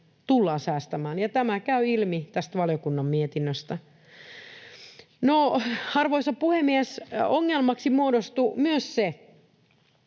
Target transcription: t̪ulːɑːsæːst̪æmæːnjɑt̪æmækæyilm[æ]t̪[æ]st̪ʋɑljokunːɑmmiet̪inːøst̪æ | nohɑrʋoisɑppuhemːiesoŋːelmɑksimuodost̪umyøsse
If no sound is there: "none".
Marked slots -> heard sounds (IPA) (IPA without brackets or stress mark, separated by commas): i, æ